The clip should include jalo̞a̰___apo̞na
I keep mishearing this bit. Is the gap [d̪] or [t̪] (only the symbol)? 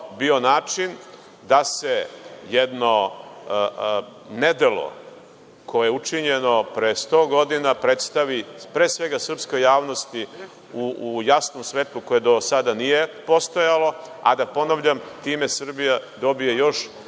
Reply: d̪